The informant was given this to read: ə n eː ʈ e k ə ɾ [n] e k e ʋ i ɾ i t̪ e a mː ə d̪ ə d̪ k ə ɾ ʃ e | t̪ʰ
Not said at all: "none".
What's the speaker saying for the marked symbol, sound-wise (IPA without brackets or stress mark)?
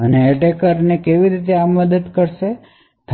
n